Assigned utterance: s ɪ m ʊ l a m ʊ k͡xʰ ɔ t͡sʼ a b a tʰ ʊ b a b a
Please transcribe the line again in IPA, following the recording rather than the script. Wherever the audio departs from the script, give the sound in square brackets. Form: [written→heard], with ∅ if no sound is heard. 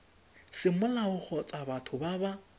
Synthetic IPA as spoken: s ɪ m ʊ l a [m→∅] ʊ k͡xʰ ɔ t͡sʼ a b a tʰ ʊ b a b a